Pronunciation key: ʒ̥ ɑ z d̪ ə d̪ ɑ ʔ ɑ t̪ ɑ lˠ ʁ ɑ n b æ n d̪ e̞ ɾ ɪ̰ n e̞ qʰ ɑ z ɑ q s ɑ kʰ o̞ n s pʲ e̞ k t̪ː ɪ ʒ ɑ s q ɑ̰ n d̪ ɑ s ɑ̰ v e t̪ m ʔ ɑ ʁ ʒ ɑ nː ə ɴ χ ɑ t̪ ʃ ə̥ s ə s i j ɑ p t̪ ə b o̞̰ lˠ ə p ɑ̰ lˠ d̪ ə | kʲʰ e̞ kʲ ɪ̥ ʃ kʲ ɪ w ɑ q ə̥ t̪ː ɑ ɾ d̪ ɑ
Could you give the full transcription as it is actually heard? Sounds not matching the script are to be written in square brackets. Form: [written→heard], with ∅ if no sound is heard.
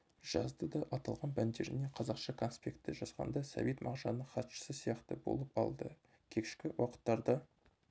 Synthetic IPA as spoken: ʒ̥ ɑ z d̪ ə d̪ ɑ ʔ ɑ t̪ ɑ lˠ ʁ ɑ n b æ n d̪ e̞ ɾ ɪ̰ n e̞ qʰ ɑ z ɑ q [s→ʃ] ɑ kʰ o̞ n s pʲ e̞ k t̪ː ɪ ʒ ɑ s q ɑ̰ n d̪ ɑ s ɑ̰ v e t̪ m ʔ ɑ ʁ ʒ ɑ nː ə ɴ χ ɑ t̪ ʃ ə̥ s ə s i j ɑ [p→q] t̪ ə b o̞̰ lˠ ə p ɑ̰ lˠ d̪ ə | kʲʰ e̞ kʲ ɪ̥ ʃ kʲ ɪ w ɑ q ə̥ t̪ː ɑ ɾ d̪ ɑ